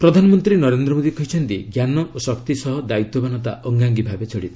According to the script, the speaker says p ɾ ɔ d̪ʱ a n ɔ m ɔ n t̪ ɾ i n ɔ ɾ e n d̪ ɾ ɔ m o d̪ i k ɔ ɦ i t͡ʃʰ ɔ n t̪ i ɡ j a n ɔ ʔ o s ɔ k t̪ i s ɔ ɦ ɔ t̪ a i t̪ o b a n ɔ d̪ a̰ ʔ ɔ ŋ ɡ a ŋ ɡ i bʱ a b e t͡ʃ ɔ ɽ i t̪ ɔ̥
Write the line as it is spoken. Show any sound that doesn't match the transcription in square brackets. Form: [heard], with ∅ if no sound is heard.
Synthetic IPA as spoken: p ɾ ɔ d̪ʱ a n ɔ m ɔ n t̪ ɾ i n ɔ ɾ e n d̪ ɾ ɔ m o d̪ i k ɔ ɦ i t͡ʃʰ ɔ n t̪ i ɡ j a n ɔ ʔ o s ɔ k t̪ i s ɔ ɦ ɔ [d̪] a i t̪ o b a n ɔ [t̪] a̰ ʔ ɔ ŋ ɡ a ŋ ɡ i bʱ a b e t͡ʃ ɔ ɽ i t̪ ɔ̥